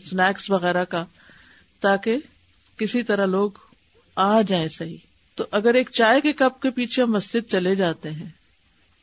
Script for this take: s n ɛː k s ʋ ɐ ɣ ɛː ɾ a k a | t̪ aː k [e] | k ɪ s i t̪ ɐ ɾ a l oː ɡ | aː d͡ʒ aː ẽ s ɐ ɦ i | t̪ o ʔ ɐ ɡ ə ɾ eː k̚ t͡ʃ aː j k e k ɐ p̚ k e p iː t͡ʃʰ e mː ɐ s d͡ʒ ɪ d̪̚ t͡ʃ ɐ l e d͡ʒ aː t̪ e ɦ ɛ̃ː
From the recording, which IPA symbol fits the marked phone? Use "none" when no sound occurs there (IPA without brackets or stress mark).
e